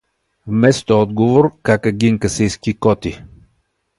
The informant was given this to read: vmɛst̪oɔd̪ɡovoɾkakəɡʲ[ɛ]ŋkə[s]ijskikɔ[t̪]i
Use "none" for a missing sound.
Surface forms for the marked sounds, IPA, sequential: i, s, t̪

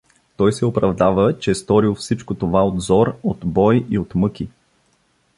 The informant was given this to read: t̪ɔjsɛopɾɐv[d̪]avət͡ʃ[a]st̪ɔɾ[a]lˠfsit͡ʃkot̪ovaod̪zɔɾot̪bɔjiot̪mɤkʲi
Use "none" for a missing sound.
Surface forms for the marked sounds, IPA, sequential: d̪, ɛ, i

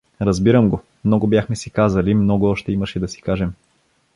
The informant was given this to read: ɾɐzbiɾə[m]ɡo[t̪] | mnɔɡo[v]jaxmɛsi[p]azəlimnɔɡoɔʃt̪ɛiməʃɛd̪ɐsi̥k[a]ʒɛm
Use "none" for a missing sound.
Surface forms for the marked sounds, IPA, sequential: m, none, b, k, a

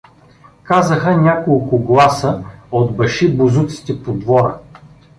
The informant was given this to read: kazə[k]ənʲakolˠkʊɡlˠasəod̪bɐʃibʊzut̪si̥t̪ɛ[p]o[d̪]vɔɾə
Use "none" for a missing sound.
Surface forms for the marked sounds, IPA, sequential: x, p, d̪

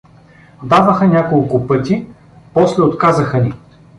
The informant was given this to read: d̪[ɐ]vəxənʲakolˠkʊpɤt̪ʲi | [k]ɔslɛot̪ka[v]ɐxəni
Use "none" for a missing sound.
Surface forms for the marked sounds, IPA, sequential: a, p, z

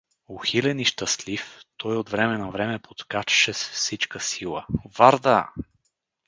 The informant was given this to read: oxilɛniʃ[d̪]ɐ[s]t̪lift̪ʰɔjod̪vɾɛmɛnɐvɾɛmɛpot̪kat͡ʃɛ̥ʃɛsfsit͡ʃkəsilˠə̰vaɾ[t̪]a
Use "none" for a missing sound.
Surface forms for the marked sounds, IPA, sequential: t̪, s, d̪

